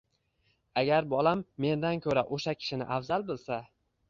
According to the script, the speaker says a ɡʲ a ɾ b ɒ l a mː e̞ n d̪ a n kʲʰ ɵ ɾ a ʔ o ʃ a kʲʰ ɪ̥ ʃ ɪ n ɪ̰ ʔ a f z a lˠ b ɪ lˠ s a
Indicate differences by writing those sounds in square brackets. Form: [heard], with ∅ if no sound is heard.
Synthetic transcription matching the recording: a ɡʲ a ɾ b ɒ l a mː e̞ n d̪ a n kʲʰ ɵ ɾ a ʔ o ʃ a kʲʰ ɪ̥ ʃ ɪ n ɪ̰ ʔ a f z a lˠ b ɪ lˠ s a